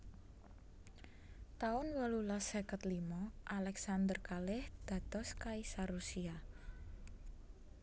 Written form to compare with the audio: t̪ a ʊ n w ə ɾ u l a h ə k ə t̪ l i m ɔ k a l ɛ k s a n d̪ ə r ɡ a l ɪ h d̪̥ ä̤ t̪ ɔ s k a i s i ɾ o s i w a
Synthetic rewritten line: t̪ a ʊ n w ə l u l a s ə k ə t̪ l i m ɔ ʔ a l ɛ k s a n d̪ ə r k a l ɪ h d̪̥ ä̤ t̪ ɔ s k a i s a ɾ u s i a